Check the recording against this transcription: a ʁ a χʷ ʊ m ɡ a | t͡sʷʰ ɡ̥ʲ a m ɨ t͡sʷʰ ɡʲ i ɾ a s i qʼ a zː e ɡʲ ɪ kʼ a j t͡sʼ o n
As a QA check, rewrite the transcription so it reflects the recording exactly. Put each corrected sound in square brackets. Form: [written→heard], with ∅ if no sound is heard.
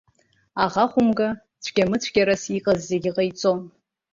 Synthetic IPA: a ʁ a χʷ ʊ m ɡ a | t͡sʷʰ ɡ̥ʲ a m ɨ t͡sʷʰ ɡʲ [i→a] ɾ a s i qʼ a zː e ɡʲ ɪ [kʼ→qʼ] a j t͡sʼ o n